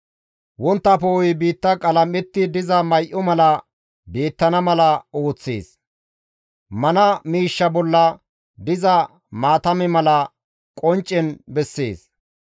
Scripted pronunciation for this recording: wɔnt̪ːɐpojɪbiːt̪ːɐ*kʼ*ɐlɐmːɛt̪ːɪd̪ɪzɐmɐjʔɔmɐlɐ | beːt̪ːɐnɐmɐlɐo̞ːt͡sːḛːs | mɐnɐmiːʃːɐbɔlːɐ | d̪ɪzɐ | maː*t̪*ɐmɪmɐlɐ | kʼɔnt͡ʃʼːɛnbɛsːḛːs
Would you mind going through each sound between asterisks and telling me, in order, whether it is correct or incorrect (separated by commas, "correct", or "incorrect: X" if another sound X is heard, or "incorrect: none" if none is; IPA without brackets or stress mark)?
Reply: correct, correct